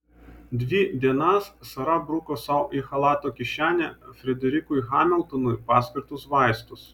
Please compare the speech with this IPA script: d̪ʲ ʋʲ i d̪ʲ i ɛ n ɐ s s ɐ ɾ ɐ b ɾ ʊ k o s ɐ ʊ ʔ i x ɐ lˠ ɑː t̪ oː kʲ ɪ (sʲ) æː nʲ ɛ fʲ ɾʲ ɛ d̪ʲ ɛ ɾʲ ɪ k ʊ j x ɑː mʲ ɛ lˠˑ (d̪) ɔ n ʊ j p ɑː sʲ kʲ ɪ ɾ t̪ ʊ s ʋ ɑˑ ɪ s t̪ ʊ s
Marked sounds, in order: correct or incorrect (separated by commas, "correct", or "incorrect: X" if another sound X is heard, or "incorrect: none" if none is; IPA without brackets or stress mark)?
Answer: incorrect: ʃʲ, incorrect: t̪